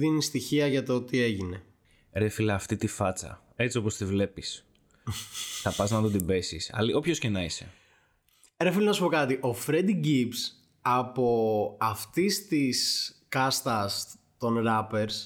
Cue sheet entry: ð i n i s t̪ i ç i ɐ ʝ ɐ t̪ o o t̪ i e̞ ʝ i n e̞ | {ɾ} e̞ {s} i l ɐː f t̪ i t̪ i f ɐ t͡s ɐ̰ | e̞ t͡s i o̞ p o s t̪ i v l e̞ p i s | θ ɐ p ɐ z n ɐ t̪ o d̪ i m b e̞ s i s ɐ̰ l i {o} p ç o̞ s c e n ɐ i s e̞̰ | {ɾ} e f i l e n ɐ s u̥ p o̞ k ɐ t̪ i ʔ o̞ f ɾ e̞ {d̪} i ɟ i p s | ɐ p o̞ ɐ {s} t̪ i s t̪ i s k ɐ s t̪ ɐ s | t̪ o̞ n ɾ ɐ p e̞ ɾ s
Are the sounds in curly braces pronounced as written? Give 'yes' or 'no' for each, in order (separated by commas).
yes, no, yes, yes, yes, no